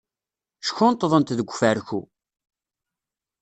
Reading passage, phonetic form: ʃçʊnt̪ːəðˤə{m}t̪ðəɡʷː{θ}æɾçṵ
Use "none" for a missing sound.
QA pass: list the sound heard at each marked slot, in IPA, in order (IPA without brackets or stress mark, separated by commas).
n, f